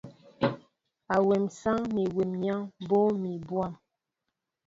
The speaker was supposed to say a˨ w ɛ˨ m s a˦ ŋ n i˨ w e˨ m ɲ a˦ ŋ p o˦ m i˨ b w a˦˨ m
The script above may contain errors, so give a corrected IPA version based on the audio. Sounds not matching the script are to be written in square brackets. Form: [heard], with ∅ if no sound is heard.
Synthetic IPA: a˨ w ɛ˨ m s a˦ ŋ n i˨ w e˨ m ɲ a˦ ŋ [b] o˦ m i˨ b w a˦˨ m